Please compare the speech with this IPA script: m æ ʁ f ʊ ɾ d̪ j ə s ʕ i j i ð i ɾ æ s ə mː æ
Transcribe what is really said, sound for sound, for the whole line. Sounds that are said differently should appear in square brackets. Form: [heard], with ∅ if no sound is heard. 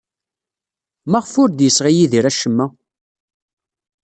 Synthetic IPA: m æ ʁ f ʊ ɾ d̪ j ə s [ʁ] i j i ð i ɾ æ [ʃ] ə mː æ